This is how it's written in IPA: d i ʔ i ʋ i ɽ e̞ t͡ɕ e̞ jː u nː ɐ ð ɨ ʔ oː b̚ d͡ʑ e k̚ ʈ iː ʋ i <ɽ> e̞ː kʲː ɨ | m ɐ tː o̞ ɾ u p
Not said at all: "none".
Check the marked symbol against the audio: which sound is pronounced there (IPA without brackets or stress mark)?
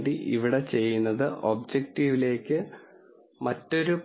l